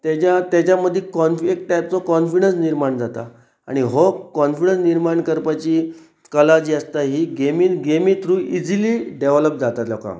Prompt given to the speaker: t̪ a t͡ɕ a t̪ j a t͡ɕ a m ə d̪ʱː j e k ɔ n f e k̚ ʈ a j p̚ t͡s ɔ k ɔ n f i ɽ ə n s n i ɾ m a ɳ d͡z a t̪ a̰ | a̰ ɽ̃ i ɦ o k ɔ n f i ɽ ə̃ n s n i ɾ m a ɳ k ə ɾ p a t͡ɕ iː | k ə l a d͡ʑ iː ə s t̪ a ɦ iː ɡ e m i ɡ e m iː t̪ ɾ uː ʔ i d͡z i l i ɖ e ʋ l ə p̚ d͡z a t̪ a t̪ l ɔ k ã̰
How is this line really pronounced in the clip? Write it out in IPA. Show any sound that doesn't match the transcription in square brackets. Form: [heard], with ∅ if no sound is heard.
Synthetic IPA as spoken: t̪ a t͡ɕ a t̪ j a t͡ɕ a m ə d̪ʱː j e k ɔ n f e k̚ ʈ a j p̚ t͡s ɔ k ɔ n f i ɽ ə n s n i ɾ m a ɳ d͡z a t̪ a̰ | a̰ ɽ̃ i ɦ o k ɔ n f i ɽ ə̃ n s n i ɾ m a ɳ k ə ɾ p a t͡ɕ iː | k ə l a d͡ʑ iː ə s t̪ a ɦ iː ɡ e m i ɡ e m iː t̪ ɾ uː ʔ i d͡z i l i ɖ e ʋ l ə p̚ d͡z a t̪ a t̪ l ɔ k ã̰

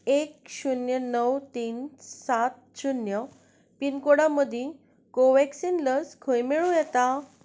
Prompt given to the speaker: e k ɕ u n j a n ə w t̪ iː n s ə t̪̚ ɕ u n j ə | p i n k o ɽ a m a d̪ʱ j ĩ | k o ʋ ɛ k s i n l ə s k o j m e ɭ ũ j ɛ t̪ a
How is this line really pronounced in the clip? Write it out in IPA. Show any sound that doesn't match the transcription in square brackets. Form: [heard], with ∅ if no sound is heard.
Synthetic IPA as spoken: e k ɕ u n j [ə] n ə w t̪ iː n s [a] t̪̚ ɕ u n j ə | p i n k o ɽ a m [ə] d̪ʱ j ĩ | k o ʋ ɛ k s i n l ə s [kʰ] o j m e ɭ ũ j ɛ t̪ a

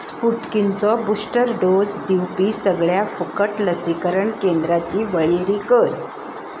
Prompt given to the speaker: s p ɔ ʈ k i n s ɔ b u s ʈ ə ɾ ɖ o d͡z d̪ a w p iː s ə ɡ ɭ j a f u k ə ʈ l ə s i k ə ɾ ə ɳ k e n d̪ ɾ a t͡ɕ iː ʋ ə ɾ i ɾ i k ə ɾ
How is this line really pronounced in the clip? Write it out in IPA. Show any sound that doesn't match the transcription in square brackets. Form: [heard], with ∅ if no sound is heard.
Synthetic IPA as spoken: s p [u] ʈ k i n [t͡s] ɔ b u s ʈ ə ɾ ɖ o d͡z d̪ [i] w p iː s ə ɡ ɭ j a f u k ə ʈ l ə s i k ə ɾ ə ɳ k e n d̪ ɾ a t͡ɕ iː ʋ ə [ɭ] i ɾ i k ə ɾ

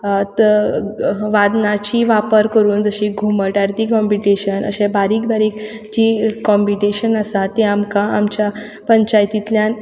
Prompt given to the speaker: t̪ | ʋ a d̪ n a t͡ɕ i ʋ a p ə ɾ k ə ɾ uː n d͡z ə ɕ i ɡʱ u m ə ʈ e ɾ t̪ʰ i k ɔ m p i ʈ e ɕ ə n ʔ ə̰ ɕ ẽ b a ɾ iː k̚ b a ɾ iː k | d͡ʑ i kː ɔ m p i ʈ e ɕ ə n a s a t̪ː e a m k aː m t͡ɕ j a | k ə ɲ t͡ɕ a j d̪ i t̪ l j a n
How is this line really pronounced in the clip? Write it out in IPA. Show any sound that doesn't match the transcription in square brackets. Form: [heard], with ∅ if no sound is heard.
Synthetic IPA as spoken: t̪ | ʋ a d̪ n a t͡ɕ i ʋ a p ə ɾ k ə ɾ uː n d͡z ə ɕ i ɡʱ u m ə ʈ [a] ɾ [t̪] i k ɔ m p i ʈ e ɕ ə n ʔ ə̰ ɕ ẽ b a ɾ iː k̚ b a ɾ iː k | d͡ʑ i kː ɔ m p i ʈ e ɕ ə n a s a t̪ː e a m k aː m t͡ɕ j a | [p] ə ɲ t͡ɕ a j [t̪] i t̪ l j a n

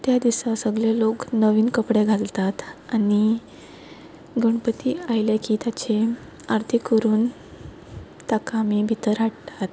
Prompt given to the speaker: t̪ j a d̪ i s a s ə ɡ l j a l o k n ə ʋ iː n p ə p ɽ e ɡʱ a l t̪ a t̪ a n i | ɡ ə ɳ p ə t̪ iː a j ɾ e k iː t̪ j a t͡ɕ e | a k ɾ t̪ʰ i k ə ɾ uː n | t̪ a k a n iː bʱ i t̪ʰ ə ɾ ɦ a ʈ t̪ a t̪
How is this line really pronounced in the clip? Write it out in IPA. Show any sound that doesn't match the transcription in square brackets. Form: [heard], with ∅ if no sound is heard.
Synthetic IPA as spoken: t̪ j a d̪ i s a s ə ɡ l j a l o k n ə ʋ iː n [k] ə p ɽ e ɡʱ a l t̪ a t̪ a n i | ɡ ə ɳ p ə t̪ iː a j [l] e k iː t̪ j a t͡ɕ e | a [∅] ɾ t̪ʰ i k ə ɾ uː n | t̪ a k a [m] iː bʱ i [t̪] ə ɾ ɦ a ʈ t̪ a t̪

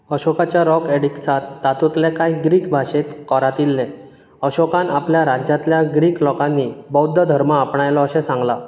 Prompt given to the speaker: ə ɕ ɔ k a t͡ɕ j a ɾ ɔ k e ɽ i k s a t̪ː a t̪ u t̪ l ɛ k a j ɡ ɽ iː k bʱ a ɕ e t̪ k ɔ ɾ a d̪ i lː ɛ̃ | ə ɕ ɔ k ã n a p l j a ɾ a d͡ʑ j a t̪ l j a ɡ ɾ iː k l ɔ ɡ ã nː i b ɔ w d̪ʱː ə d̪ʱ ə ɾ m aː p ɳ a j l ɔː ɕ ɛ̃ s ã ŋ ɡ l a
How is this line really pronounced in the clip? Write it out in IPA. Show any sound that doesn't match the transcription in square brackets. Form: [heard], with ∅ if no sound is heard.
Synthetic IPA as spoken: ə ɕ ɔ k a t͡ɕ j a ɾ ɔ k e ɽ i k s a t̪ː a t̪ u t̪ l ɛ k a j ɡ [ɾ] iː k bʱ a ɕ e t̪ k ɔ ɾ a [t̪] i lː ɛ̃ | ə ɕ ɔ k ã n a p l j a ɾ a d͡ʑ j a t̪ l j a ɡ ɾ iː k l ɔ [k] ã nː i b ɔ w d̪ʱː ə d̪ʱ ə ɾ m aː p ɳ a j l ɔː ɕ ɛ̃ s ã ŋ ɡ l a

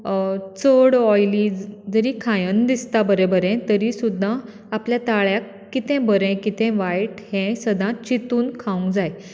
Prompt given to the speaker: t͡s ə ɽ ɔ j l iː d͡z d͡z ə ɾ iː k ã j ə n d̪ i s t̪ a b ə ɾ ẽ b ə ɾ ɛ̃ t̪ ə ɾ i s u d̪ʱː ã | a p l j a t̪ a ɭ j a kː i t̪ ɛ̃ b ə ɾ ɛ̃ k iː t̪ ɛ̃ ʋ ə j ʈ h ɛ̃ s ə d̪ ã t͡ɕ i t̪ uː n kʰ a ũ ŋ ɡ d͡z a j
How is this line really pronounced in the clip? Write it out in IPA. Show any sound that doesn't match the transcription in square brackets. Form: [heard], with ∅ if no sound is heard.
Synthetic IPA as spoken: t͡s ə ɽ ɔ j l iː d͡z d͡z ə ɾ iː [kʰ] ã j ə n d̪ i s t̪ a b ə ɾ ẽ b ə ɾ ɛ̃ t̪ ə ɾ i s u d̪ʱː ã | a p l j a t̪ a ɭ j a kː i t̪ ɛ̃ b ə ɾ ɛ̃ k [i] t̪ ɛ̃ ʋ [a] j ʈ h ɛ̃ s ə d̪ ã t͡ɕ i t̪ uː n kʰ a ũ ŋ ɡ d͡z a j

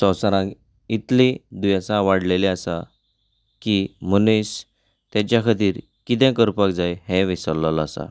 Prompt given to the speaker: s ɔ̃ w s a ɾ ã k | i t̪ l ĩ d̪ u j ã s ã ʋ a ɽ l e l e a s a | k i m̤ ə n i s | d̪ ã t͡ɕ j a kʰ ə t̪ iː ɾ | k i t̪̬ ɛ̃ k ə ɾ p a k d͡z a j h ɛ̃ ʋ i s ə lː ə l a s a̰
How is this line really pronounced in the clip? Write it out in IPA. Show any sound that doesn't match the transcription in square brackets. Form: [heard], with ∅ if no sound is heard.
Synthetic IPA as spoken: s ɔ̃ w s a ɾ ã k | i t̪ l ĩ d̪ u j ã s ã ʋ a ɽ l e l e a s a | k i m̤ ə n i s | [t̪] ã t͡ɕ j a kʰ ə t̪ iː ɾ | k i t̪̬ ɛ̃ k ə ɾ p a k d͡z a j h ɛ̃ ʋ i s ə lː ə l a s a̰

